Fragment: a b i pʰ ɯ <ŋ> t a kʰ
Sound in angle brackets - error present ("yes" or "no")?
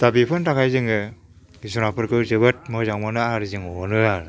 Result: yes